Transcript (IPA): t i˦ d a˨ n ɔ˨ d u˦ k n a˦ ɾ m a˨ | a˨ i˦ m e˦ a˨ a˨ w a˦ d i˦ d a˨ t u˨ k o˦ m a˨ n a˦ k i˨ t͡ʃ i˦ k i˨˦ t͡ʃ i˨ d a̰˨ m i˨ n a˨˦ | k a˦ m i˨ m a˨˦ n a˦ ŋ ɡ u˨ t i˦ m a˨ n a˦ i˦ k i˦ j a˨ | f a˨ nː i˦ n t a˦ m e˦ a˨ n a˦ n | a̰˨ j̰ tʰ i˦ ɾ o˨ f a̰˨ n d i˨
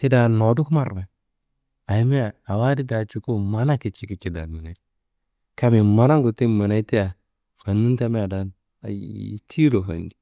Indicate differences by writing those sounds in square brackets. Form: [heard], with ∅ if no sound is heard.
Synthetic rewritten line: t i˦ d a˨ n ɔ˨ d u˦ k [m] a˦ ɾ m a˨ | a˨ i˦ m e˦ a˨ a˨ w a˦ d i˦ d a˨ [t͡ʃ] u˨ k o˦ m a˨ n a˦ k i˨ t͡ʃ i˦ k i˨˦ t͡ʃ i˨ d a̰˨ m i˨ n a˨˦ | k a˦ m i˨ m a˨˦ n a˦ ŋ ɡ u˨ t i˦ m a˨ n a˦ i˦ [t] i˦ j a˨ | f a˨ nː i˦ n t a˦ m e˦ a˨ [d] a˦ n | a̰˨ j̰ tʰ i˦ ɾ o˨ f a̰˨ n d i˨

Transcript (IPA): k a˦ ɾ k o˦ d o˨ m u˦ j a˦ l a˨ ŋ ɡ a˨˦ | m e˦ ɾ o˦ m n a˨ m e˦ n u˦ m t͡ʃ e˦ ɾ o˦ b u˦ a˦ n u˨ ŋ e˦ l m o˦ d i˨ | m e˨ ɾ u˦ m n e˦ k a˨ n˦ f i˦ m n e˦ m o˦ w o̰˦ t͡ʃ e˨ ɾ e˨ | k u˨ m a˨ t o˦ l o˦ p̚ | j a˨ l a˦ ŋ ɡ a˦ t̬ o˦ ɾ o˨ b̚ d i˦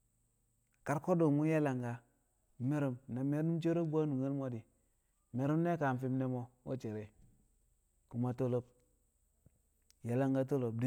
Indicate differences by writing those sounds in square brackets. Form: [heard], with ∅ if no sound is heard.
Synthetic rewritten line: k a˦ ɾ k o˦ d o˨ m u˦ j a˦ l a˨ ŋ ɡ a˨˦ | m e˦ ɾ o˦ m n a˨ m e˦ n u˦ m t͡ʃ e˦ ɾ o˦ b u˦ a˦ n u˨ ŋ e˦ l m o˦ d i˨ | m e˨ ɾ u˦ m n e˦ k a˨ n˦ f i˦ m n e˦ m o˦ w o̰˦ t͡ʃ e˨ ɾ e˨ | k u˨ m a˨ t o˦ l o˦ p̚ | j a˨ l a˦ ŋ ɡ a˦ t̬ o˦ [l] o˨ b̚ d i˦

